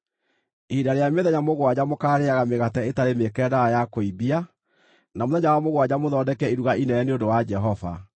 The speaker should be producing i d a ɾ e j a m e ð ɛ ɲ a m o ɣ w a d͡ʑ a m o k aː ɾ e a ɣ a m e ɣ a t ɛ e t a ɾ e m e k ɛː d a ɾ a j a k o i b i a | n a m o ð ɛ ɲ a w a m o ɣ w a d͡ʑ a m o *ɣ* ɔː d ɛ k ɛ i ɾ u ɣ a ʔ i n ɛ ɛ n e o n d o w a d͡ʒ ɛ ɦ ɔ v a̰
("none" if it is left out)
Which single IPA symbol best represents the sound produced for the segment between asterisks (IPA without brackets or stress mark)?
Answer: ð